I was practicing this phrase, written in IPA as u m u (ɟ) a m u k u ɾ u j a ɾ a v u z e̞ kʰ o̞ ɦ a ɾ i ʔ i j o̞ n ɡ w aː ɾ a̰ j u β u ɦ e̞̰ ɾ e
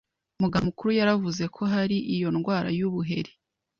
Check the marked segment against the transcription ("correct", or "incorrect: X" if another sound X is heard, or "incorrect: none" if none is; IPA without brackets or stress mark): incorrect: ɡ